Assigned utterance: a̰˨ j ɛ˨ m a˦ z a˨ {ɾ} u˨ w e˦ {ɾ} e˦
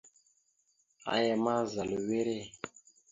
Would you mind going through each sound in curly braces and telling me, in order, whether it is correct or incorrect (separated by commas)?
incorrect, correct